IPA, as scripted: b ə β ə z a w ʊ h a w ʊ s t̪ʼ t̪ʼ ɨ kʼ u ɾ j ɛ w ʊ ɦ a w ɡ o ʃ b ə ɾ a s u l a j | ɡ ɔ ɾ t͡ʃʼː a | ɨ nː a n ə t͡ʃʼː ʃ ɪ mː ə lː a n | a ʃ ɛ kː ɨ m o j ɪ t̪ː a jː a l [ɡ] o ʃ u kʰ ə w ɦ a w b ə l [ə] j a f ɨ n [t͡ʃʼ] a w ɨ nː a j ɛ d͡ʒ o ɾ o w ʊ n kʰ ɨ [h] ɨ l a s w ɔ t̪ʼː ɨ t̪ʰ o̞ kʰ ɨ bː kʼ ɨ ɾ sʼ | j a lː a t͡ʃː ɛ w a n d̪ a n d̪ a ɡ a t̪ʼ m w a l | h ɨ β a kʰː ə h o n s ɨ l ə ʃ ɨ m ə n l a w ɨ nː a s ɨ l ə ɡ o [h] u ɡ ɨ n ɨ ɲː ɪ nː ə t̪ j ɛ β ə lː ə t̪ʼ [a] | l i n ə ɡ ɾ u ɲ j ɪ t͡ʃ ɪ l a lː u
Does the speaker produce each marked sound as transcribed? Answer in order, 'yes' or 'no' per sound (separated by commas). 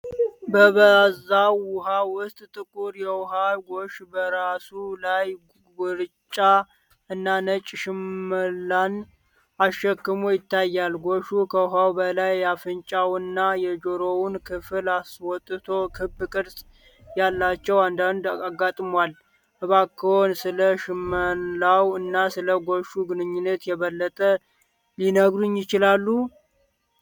yes, no, yes, no, no, no